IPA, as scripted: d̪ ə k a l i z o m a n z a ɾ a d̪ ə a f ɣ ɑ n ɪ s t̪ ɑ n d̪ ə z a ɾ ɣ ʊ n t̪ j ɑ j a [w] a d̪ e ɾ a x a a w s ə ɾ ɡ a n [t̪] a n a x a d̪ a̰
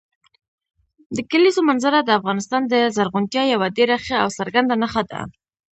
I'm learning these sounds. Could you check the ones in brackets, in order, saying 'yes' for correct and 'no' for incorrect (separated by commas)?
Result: yes, no